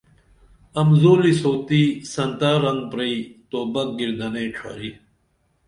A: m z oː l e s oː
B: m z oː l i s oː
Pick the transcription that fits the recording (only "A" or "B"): B